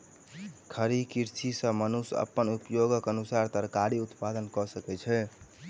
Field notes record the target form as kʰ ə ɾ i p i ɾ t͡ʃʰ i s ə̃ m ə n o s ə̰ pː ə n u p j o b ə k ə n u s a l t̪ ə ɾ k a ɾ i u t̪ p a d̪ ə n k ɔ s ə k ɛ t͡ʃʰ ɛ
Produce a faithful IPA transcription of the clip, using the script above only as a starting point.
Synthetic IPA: kʰ ə ɾ i k i ɾ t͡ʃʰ i s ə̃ m ə n u s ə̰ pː ə n u p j o ɡ ə k ə n u s a ɾ t̪ ə ɾ k a ɾ i u t̪ p a d̪ ə n k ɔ s ə k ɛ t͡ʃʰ ɛ